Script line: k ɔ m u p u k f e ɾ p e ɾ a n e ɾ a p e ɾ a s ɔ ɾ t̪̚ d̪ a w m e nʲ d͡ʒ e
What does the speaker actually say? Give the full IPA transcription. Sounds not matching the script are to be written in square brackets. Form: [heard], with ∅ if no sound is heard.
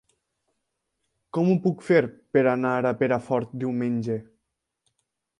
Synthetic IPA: k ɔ m u p u k f e ɾ p e ɾ a n [a] ɾ a p e ɾ a [f] ɔ ɾ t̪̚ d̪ [i] w m e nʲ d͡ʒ e